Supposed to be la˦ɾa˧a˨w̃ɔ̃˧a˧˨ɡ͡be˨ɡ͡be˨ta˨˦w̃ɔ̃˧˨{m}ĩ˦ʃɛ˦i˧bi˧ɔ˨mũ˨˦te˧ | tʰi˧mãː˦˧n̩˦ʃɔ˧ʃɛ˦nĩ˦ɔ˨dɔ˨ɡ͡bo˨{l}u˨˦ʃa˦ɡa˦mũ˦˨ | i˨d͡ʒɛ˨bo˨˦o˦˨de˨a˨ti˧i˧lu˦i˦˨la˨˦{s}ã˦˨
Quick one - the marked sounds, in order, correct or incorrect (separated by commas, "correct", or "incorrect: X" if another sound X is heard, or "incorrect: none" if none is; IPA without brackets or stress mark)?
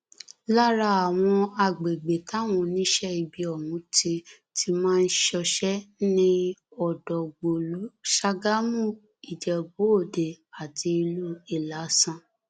incorrect: n, correct, correct